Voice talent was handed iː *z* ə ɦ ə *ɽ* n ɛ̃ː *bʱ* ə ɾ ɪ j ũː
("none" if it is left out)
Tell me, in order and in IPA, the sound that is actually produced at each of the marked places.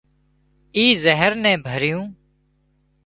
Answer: z, ɾ, bʱ

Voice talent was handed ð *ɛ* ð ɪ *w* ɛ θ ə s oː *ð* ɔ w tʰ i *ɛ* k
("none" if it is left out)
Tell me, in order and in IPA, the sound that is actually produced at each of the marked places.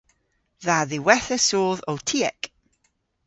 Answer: a, w, ð, ɛ

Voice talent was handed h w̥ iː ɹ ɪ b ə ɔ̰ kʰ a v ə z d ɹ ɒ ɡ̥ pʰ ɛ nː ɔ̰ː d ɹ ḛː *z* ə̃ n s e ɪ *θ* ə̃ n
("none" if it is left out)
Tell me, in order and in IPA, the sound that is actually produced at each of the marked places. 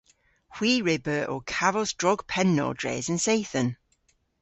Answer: z, θ

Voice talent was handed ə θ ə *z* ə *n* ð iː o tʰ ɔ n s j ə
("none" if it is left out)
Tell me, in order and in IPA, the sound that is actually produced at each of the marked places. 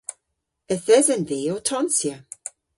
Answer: z, n

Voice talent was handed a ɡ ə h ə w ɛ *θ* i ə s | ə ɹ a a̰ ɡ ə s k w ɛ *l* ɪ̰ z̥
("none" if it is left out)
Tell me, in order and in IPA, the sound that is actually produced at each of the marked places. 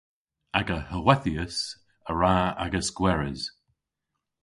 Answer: θ, ɹ

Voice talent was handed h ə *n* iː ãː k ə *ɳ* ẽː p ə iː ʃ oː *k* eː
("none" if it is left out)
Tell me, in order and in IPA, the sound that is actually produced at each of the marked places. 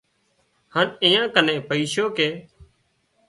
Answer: n, n, k

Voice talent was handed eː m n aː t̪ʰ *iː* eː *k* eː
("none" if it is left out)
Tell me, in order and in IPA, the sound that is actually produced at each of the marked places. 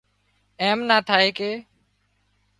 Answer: aː, k

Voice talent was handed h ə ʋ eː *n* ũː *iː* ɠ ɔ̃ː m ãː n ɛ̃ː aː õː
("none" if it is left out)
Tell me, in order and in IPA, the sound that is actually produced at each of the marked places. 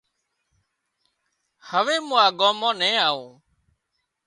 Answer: m, aː

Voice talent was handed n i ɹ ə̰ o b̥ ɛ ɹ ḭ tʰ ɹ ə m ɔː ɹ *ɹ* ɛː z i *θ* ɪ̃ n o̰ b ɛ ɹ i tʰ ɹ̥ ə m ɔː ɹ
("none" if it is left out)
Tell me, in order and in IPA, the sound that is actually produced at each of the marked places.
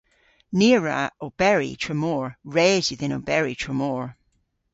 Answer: ɹ, ð

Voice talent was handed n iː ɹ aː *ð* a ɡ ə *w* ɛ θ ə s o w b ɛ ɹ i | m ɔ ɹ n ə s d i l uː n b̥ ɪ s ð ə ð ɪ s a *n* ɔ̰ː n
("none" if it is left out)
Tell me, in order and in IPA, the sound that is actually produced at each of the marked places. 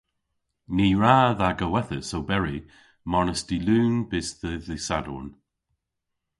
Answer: ð, w, d

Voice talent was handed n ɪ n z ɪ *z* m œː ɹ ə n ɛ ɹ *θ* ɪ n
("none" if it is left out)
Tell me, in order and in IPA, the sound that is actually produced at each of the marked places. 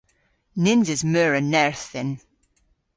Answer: z, θ

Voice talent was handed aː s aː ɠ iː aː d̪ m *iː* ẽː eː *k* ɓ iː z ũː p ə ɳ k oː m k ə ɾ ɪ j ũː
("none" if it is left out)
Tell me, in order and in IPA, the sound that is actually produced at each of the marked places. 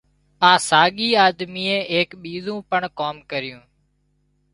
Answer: iː, k

